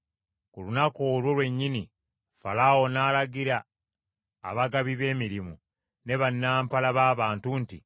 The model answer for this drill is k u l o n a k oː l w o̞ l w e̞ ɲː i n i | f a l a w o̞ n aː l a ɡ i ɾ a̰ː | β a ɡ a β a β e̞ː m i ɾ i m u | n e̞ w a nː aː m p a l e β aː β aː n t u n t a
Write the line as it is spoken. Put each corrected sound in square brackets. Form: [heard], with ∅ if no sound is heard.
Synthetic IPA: k u l [u] n a k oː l w o̞ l w e̞ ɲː i n i | f a l a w o̞ n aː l a ɡ i ɾ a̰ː | β a ɡ a β [i] β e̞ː m i ɾ i m u | n e̞ [β] a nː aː m p a l [a] β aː β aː n t u n t [i]